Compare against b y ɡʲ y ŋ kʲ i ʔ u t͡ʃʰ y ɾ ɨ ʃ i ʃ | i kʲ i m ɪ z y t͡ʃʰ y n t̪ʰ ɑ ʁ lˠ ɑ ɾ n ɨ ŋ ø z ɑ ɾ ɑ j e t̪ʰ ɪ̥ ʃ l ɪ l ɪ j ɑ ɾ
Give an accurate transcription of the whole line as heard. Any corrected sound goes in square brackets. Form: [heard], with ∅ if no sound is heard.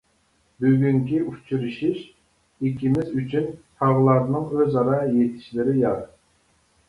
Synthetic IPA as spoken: b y ɡʲ y ŋ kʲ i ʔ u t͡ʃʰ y ɾ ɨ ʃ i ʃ | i kʲ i m ɪ z y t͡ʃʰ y n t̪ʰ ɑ ʁ lˠ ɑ ɾ n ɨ ŋ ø z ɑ ɾ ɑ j e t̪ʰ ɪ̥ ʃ l ɪ [ɾ] ɪ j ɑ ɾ